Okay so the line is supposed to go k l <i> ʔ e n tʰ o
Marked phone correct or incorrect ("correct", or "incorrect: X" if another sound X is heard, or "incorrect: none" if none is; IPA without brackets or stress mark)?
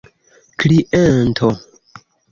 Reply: correct